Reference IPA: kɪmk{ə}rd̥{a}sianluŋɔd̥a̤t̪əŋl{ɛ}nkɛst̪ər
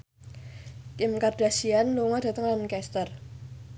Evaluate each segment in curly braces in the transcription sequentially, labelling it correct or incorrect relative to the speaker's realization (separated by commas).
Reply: incorrect, correct, incorrect